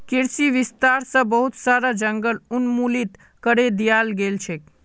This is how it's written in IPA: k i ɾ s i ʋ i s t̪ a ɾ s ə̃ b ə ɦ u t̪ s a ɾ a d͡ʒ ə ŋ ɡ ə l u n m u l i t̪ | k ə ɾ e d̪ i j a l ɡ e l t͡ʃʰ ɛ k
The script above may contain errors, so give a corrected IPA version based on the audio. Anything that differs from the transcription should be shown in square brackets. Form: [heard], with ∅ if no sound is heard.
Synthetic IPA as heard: k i ɾ s i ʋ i s t̪ a ɾ s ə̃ b ə ɦ u t̪ s a ɾ a d͡ʒ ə ŋ ɡ ə l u n m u l i t̪ | k ə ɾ e d̪ i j a l ɡ e l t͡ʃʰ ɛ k